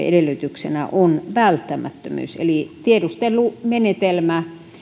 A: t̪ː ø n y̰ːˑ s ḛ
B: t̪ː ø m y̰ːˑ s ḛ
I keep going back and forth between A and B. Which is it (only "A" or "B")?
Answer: B